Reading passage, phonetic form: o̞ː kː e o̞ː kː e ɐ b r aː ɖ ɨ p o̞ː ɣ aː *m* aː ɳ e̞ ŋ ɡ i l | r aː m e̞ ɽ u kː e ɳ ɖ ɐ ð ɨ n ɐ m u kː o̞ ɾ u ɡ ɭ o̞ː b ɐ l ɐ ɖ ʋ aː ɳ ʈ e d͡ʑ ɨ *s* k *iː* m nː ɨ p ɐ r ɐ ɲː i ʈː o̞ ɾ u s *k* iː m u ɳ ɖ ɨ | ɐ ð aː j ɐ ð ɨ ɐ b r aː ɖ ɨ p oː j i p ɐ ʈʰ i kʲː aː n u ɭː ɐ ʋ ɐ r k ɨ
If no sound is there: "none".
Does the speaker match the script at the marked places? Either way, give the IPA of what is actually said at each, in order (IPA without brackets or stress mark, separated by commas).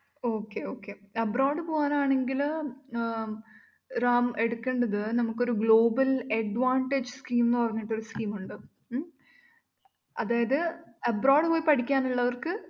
n, s, iː, k